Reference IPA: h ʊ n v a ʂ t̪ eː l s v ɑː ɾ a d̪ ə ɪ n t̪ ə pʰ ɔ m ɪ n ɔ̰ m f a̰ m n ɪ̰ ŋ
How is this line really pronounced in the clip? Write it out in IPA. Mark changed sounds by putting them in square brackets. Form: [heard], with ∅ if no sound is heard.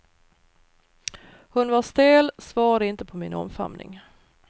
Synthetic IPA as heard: h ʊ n v a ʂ t̪ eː l s v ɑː ɾ a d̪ ə ɪ n t̪ ə pʰ ɔ m ɪ n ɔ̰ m f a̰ m n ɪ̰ ŋ